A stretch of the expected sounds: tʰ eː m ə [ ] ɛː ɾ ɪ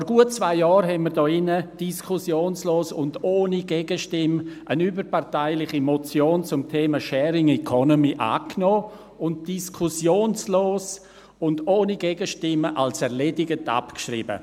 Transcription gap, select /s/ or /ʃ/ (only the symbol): ʃ